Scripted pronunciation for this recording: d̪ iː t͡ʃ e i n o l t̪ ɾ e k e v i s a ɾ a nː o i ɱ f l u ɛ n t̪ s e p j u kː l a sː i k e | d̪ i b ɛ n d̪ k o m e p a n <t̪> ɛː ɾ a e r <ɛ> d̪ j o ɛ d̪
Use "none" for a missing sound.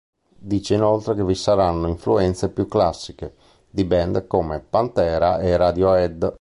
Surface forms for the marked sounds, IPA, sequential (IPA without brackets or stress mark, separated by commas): t̪, a